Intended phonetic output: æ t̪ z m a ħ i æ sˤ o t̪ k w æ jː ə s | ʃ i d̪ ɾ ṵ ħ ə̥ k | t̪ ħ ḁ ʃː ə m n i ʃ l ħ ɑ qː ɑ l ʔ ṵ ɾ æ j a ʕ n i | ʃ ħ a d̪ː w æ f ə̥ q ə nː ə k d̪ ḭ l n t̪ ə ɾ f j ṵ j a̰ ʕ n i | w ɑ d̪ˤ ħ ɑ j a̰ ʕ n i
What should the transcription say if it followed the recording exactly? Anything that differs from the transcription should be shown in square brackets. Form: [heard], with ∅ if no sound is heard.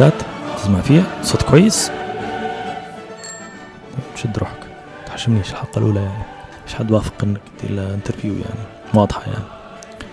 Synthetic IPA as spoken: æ t̪ z m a [f] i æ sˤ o t̪ k w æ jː ə s | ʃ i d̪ ɾ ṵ ħ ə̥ k | t̪ ħ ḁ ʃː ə m n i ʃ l ħ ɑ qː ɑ l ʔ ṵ [l] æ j a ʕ n i | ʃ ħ a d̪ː w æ f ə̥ q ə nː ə k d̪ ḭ l n t̪ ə ɾ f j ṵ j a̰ ʕ n i | w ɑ d̪ˤ ħ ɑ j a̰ ʕ n i